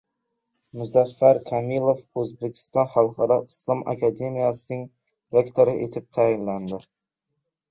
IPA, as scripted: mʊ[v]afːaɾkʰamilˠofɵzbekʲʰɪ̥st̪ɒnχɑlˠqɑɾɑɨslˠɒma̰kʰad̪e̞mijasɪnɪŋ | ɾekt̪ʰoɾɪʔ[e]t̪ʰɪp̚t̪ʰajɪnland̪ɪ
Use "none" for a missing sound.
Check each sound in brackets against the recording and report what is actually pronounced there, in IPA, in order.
z, e

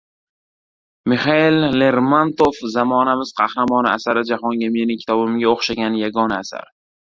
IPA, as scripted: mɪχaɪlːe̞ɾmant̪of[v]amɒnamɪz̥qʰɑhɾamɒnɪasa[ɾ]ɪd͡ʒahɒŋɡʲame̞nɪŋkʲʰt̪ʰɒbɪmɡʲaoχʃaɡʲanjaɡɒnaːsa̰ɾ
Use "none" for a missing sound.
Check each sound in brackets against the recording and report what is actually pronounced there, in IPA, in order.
z, ɾ

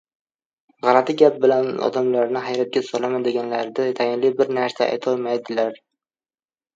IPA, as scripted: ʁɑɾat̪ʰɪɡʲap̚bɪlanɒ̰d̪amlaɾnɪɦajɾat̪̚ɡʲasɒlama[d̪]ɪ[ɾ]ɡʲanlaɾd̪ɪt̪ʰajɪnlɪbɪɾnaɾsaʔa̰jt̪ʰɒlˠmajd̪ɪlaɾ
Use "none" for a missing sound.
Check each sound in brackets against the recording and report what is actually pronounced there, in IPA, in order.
d̪, none

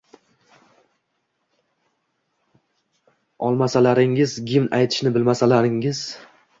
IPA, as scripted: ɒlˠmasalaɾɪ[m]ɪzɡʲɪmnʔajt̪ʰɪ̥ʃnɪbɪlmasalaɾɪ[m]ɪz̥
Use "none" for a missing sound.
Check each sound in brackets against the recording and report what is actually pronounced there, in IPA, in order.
ŋ, ŋ

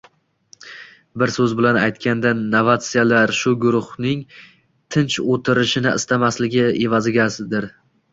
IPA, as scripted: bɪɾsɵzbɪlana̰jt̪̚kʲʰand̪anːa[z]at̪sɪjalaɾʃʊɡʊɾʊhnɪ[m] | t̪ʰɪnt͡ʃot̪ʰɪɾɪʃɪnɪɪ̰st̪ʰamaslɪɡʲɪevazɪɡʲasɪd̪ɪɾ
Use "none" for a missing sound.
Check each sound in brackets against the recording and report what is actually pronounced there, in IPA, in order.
v, ŋ

